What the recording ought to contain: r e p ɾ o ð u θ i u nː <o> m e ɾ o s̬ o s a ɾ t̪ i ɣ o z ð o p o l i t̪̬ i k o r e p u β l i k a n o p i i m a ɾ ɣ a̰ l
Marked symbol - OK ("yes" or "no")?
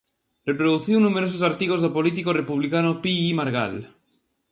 no